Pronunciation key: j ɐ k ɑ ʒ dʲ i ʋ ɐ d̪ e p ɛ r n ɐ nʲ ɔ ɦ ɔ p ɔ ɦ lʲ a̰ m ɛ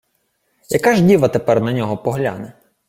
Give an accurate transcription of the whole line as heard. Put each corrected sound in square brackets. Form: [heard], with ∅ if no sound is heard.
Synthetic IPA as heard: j ɐ k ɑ ʒ dʲ i ʋ ɐ [t̪] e p ɛ r n ɐ nʲ ɔ ɦ ɔ p ɔ ɦ lʲ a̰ [n] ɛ